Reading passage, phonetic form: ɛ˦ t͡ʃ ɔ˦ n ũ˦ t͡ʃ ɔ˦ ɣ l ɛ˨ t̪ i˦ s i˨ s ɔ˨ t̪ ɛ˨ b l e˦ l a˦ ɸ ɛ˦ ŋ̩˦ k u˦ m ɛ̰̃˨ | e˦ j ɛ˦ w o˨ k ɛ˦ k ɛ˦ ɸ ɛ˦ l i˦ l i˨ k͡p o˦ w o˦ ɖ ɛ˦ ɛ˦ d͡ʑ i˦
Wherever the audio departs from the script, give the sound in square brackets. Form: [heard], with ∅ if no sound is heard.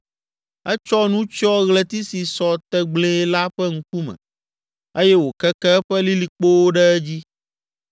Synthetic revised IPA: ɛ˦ t͡ʃ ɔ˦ n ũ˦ t͡ʃ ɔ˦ ɣ l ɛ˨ t̪ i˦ s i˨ s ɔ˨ t̪ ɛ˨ [ɡ͡b] l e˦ l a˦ ɸ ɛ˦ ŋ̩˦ k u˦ m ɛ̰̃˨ | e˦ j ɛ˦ w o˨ k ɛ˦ k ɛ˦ ɸ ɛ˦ l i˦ l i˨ k͡p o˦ w o˦ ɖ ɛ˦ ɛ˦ d͡ʑ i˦